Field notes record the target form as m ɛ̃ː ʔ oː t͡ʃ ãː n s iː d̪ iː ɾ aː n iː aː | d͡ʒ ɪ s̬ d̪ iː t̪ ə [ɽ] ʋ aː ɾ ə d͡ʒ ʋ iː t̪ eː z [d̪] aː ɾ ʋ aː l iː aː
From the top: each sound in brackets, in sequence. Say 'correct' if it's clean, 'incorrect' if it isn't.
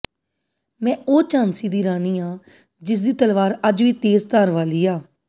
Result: incorrect: l, incorrect: t̪

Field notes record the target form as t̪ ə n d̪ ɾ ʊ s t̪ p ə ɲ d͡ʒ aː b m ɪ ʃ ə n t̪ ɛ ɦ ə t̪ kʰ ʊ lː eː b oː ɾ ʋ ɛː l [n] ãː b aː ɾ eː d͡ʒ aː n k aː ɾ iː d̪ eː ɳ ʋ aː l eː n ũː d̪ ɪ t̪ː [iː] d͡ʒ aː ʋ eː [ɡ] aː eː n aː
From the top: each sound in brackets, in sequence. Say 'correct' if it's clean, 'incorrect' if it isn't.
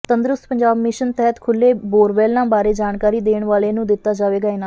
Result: correct, incorrect: aː, correct

